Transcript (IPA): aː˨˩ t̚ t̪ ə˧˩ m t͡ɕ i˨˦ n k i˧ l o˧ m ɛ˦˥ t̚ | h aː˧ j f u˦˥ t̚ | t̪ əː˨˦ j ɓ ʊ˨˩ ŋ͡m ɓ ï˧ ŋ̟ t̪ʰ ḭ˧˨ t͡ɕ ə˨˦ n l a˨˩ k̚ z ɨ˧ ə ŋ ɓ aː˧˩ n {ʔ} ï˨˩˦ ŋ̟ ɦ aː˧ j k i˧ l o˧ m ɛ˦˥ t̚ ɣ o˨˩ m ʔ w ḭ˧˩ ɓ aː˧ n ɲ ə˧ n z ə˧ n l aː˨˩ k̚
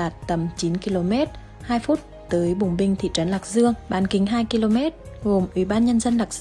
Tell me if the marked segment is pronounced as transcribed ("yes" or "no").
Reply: no